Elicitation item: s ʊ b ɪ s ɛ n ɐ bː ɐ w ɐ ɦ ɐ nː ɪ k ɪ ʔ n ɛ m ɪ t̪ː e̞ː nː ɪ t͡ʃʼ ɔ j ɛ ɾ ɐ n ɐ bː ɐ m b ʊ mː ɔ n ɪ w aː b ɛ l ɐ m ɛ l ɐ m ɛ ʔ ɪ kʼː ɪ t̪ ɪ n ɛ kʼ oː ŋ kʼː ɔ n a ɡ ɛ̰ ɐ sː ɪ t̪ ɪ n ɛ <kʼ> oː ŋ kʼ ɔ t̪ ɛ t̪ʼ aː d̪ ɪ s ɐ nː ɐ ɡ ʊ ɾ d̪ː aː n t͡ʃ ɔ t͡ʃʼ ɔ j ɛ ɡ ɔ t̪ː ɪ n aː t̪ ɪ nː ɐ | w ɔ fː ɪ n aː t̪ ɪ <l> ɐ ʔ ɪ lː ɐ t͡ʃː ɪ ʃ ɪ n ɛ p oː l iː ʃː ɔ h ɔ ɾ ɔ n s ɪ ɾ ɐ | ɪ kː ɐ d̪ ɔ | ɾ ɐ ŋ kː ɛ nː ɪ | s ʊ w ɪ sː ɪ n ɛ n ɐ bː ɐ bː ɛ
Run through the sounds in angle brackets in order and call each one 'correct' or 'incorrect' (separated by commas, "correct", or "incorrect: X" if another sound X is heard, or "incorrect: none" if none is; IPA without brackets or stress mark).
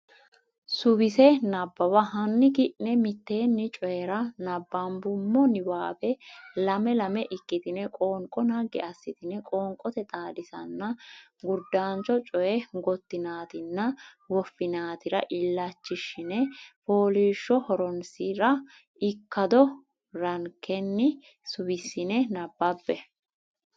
correct, incorrect: ɾ